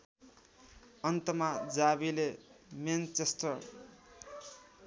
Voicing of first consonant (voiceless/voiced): voiced